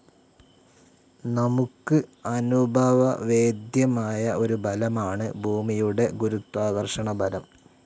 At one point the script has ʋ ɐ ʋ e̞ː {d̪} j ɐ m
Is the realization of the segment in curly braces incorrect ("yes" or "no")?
no